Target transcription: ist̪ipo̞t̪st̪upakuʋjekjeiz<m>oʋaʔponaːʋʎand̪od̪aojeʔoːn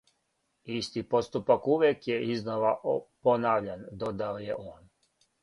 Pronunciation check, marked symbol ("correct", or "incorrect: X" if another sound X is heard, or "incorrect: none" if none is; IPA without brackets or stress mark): incorrect: n